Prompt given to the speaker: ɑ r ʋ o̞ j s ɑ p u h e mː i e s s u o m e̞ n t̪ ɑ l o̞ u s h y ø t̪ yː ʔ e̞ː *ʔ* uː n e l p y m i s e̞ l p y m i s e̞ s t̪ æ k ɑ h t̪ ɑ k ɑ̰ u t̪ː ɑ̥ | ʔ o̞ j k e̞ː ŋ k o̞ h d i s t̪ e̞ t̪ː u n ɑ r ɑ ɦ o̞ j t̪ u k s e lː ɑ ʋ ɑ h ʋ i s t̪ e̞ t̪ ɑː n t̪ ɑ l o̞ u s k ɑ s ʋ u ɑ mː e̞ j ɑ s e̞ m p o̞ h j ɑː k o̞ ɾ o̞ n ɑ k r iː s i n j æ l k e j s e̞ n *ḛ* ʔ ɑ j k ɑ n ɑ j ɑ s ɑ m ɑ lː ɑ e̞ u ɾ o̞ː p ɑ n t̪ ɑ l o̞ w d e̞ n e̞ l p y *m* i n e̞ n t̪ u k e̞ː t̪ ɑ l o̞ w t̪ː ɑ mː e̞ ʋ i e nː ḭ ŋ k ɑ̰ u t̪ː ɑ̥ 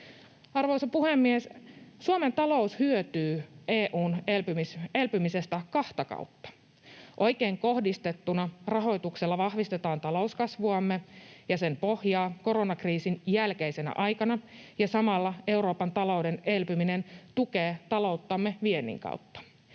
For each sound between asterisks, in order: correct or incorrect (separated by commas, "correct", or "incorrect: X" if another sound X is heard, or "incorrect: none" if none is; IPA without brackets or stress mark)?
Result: correct, incorrect: æ̰, correct